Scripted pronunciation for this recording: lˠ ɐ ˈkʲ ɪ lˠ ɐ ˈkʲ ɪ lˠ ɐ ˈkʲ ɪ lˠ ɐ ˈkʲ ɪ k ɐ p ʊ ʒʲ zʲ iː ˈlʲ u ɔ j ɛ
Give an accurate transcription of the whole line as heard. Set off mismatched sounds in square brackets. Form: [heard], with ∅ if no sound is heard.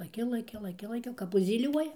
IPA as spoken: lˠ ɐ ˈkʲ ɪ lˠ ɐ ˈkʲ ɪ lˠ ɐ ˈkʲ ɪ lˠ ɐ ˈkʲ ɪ k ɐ p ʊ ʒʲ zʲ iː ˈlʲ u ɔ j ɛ